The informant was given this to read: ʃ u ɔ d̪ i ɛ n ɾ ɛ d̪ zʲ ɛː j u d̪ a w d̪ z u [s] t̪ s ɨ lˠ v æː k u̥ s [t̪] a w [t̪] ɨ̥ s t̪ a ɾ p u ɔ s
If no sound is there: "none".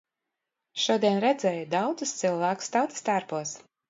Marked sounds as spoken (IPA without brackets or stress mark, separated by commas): s, t̪, t̪